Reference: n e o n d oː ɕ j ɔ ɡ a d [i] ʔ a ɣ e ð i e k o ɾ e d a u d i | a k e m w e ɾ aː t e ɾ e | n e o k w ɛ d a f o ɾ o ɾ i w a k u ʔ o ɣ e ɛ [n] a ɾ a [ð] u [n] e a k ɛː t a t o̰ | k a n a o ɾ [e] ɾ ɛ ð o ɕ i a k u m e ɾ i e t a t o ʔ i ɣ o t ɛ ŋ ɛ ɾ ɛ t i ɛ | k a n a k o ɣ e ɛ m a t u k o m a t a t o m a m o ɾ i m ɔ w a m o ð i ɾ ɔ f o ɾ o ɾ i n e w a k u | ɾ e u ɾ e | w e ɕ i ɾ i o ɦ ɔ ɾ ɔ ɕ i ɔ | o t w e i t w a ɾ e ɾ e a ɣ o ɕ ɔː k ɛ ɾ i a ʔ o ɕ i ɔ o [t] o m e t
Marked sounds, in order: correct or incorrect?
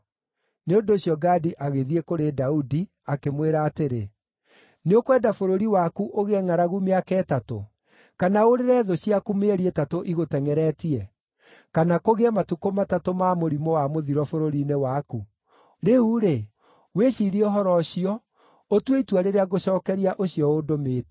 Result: correct, incorrect: ŋ, incorrect: ɣ, incorrect: m, correct, incorrect: d

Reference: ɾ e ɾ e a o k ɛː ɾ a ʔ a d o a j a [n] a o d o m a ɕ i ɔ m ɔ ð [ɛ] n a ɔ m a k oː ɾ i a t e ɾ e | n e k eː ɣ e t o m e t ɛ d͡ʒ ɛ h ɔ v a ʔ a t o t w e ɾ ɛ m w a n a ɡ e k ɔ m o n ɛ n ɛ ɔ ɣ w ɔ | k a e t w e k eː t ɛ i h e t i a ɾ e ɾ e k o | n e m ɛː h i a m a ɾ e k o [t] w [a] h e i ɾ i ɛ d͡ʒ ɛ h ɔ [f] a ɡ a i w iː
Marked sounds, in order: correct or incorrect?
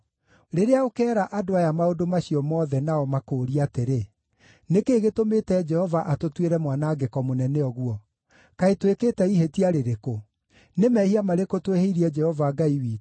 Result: incorrect: m, correct, correct, incorrect: e, incorrect: v

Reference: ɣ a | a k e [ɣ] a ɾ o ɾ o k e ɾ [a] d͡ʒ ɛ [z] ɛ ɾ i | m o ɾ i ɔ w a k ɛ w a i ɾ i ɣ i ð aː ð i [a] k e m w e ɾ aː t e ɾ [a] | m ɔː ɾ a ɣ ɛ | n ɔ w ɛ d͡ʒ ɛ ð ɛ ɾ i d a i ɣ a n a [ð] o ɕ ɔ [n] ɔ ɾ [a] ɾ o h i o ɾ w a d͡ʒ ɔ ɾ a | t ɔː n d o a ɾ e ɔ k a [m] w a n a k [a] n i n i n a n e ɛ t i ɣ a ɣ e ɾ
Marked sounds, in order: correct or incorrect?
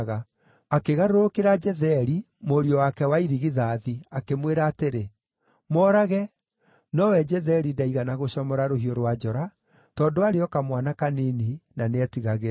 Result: correct, correct, incorrect: ð, correct, incorrect: e, incorrect: ɣ, incorrect: m, correct, correct, correct

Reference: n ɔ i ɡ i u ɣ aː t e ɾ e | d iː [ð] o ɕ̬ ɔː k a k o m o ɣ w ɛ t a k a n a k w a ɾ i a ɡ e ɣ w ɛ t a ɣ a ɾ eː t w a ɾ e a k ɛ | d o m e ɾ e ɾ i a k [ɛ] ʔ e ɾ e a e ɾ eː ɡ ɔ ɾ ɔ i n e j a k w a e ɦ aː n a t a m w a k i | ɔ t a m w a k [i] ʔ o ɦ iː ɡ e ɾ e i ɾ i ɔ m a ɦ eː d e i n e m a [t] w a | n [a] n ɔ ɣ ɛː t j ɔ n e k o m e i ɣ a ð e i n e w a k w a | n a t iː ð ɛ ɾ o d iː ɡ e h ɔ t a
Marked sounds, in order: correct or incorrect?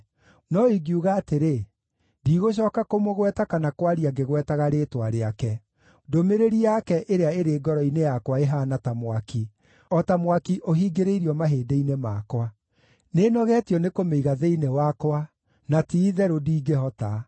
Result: incorrect: ɣ, correct, correct, incorrect: k, incorrect: e

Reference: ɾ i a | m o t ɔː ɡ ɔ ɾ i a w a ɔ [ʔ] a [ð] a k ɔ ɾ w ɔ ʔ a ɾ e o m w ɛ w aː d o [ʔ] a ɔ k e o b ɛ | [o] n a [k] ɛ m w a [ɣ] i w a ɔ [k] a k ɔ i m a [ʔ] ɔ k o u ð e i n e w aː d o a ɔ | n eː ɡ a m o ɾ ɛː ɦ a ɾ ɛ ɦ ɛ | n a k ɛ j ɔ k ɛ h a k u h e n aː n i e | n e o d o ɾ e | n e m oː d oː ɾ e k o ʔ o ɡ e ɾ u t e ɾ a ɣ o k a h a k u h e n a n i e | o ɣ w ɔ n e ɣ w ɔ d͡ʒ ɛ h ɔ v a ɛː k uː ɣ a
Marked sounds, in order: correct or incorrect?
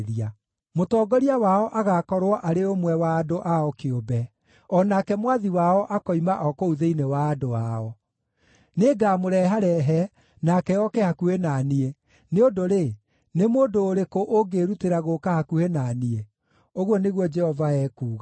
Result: correct, incorrect: ɣ, correct, incorrect: ɔ, correct, incorrect: ð, incorrect: ʔ, correct

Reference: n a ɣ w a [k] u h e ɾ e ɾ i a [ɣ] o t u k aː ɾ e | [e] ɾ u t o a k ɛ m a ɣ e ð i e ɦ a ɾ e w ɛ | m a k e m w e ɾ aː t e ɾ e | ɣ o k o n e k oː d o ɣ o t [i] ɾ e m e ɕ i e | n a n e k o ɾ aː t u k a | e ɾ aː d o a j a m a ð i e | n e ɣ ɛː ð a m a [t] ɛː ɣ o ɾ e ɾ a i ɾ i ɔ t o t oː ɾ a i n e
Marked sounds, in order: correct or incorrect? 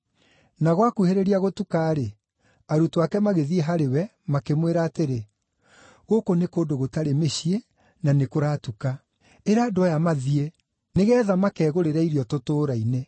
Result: correct, correct, incorrect: a, incorrect: a, incorrect: k

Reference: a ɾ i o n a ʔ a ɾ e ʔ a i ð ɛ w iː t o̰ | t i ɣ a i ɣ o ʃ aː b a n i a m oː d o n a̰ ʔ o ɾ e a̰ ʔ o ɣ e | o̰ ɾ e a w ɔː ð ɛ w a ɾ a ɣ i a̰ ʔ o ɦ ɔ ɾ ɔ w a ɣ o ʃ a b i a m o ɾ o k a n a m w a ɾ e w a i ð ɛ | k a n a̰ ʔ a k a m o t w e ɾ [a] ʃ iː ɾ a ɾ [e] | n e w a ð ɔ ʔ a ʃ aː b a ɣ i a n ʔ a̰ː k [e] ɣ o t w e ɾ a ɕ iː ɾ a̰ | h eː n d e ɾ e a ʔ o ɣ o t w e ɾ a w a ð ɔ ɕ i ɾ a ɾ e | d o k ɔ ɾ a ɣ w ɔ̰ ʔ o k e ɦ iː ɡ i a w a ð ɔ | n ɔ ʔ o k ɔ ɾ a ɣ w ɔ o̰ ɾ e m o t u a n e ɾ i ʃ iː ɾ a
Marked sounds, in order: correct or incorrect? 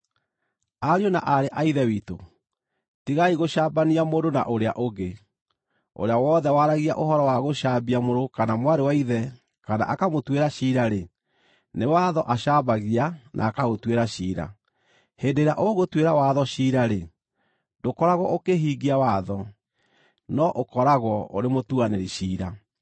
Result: correct, correct, incorrect: a

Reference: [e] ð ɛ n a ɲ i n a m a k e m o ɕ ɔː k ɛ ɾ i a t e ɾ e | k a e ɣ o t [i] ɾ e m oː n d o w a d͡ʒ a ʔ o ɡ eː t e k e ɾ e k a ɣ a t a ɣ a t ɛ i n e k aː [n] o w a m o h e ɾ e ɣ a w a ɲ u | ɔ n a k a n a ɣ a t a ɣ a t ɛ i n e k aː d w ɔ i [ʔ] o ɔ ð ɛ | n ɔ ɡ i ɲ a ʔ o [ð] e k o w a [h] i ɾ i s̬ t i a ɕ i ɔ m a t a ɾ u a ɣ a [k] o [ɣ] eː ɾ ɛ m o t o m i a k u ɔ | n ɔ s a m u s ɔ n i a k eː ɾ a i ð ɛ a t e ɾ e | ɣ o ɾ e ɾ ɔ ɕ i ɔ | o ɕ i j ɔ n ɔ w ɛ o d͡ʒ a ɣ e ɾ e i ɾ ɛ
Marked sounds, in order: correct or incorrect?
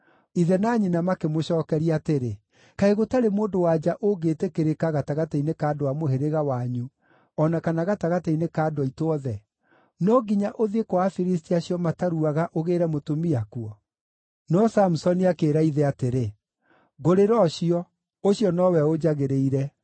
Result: incorrect: i, incorrect: a, incorrect: d, incorrect: t, correct, incorrect: f, incorrect: ʔ, correct

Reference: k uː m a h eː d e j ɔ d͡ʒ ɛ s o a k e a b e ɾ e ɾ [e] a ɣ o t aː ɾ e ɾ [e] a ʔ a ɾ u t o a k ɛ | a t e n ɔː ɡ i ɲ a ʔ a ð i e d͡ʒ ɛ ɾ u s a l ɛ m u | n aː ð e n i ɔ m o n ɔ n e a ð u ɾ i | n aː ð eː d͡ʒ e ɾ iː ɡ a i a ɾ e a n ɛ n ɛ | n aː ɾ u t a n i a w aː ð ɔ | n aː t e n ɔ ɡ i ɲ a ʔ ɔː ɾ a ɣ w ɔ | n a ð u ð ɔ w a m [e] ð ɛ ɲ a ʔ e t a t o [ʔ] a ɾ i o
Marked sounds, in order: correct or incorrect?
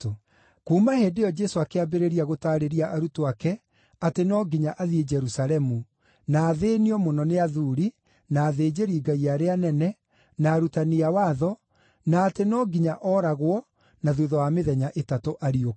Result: incorrect: i, incorrect: i, correct, correct

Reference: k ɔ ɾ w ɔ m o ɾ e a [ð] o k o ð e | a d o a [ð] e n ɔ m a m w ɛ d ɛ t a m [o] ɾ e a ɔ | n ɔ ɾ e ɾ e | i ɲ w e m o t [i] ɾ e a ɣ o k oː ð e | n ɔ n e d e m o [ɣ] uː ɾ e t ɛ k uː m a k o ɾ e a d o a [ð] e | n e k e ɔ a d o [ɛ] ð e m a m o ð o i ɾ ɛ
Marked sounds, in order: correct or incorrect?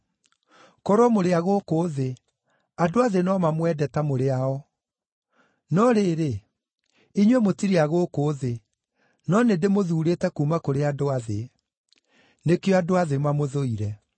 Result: incorrect: ɣ, correct, correct, correct, incorrect: ð, correct, incorrect: a

